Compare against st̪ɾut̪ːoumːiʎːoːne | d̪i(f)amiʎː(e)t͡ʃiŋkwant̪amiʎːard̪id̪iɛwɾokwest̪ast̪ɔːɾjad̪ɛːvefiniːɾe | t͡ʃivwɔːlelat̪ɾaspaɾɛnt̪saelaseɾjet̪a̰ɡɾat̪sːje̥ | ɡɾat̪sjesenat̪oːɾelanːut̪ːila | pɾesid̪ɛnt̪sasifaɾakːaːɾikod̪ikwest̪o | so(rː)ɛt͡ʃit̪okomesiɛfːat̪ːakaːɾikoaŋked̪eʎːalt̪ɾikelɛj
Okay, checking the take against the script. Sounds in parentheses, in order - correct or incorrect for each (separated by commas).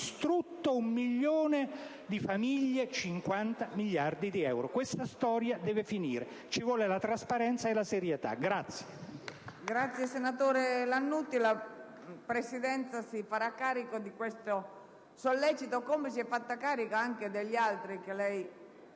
correct, correct, incorrect